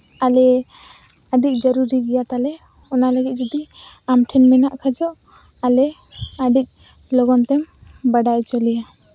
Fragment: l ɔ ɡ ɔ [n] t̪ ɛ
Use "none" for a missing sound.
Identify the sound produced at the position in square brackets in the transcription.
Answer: n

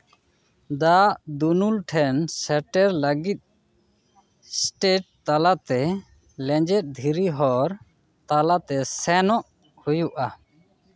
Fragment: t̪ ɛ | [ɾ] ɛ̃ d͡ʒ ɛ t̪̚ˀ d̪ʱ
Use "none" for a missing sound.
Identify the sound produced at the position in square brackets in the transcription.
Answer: l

